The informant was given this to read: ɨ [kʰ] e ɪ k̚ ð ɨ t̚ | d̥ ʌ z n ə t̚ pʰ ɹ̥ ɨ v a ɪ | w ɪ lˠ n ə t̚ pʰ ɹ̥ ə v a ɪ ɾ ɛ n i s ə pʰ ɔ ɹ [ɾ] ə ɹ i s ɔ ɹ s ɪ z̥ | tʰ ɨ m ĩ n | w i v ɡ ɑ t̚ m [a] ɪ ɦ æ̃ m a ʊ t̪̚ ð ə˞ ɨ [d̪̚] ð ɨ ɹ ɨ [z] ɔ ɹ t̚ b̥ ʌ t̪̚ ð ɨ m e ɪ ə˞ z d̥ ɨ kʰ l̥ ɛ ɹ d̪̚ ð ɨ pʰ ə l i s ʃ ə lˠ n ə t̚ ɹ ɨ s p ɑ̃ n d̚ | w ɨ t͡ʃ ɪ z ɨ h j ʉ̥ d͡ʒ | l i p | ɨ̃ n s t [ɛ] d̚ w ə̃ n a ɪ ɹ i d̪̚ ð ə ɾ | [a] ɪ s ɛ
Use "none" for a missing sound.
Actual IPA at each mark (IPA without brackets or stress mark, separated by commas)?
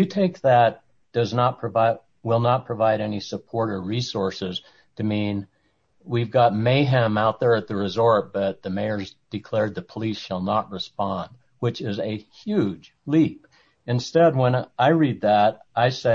tʰ, ɾ, e, t̪̚, z, ɛ, a